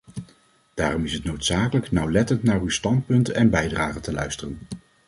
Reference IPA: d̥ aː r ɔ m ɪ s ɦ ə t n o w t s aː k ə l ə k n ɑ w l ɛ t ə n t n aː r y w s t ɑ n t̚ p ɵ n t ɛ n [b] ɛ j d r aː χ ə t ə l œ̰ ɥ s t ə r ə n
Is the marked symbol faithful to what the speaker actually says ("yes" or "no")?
yes